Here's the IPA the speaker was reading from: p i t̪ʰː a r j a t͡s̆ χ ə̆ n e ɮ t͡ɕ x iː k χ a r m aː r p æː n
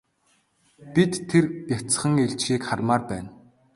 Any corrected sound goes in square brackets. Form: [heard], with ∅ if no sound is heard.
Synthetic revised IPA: p i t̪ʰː [e] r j a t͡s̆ χ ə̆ [ŋ] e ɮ t͡ɕ x iː k χ a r m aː r p æː n